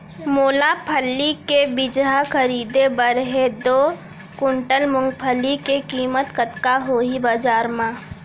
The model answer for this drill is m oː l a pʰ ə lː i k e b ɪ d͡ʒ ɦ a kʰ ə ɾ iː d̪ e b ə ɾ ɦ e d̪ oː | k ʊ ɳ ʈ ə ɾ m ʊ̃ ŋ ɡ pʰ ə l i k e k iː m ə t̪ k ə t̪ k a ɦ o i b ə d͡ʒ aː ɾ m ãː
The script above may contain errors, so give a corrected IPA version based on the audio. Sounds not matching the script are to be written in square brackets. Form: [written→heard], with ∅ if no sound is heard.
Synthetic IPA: m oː l a pʰ ə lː i k e b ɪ d͡ʒ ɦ a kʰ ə ɾ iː d̪ e b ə ɾ ɦ e d̪ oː | k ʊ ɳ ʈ ə [ɾ→l] m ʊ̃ ŋ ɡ pʰ ə l i k e k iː m ə t̪ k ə t̪ k a ɦ o i b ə d͡ʒ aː ɾ m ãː